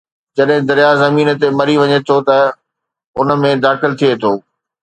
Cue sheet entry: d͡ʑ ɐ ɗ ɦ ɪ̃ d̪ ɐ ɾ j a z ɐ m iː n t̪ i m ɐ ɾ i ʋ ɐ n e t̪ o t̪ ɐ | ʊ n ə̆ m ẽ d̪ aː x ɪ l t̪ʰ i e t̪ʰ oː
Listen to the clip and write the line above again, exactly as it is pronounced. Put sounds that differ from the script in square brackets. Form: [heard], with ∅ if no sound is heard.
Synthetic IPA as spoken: d͡ʑ ɐ ɗ ɦ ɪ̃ d̪ ɐ ɾ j a z ɐ m iː n t̪ [e] m ɐ ɾ i ʋ ɐ [ɲ] e [t̪ʰ] o t̪ ɐ | ʊ n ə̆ m ẽ d̪ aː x ɪ l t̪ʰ i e t̪ʰ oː